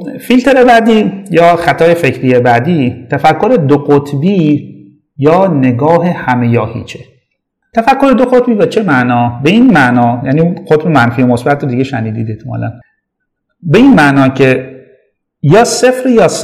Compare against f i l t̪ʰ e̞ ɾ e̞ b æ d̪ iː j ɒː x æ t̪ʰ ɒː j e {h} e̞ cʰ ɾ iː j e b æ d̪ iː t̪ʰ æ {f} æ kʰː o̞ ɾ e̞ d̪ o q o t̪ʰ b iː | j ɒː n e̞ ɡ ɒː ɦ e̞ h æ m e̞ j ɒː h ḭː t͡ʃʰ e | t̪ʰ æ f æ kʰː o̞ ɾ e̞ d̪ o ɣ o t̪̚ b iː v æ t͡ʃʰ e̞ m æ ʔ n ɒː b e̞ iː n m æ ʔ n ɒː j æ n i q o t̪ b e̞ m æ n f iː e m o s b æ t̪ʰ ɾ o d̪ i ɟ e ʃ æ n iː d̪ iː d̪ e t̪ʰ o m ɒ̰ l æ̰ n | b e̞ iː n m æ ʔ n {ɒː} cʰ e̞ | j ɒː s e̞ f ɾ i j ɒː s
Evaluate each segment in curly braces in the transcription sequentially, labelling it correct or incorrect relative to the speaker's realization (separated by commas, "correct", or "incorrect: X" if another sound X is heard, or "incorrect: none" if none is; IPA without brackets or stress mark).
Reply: incorrect: f, correct, correct